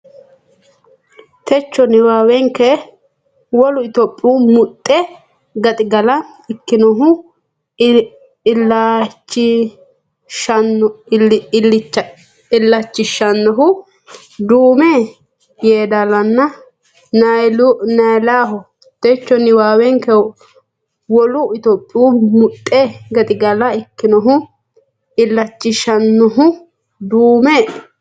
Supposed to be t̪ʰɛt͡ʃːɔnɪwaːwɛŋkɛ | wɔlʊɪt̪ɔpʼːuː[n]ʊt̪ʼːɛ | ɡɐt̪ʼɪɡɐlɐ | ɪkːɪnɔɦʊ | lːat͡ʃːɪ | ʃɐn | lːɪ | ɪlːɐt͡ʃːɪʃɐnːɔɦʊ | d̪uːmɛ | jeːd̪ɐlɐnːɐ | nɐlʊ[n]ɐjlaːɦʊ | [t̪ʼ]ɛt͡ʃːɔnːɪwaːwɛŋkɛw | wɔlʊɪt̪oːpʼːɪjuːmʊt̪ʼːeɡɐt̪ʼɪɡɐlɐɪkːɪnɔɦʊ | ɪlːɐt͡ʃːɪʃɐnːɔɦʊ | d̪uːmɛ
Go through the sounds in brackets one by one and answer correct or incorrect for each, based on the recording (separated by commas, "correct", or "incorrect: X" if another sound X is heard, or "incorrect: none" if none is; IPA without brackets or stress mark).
incorrect: m, correct, incorrect: t̪